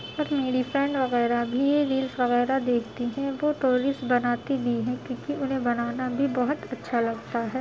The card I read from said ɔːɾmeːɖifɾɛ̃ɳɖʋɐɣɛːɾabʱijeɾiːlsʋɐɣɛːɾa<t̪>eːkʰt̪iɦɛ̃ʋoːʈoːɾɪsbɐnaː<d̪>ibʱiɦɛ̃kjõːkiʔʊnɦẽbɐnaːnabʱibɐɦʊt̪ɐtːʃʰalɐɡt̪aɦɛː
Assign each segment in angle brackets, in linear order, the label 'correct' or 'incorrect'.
incorrect, incorrect

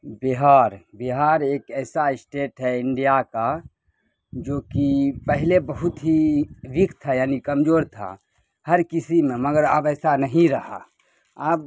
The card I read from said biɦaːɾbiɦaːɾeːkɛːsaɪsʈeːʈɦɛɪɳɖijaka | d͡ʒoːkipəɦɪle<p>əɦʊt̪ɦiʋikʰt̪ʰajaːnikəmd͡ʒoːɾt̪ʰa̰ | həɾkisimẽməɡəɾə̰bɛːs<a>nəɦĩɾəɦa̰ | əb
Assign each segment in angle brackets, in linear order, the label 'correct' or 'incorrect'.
incorrect, correct

